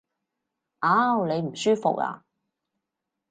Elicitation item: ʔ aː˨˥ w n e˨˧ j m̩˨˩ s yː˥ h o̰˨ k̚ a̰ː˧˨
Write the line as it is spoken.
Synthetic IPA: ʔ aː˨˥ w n e˨˧ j m̩˨˩ s yː˥ f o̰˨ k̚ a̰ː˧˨